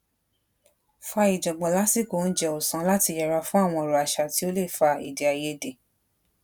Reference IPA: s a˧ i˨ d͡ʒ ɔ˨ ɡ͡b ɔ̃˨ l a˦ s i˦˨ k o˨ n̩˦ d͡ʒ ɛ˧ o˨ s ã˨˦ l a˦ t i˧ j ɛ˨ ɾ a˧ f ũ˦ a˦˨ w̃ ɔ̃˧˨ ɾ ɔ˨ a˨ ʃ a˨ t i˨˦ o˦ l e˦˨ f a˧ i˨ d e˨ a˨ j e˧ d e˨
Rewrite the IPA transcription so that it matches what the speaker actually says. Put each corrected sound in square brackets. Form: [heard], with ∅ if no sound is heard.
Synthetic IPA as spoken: [f] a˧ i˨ d͡ʒ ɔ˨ ɡ͡b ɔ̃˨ l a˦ s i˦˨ k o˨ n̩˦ d͡ʒ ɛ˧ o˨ s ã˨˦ l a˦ t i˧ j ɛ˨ ɾ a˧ f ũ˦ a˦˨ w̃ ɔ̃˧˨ ɾ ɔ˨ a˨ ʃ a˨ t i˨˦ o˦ l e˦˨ f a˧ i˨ d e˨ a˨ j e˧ d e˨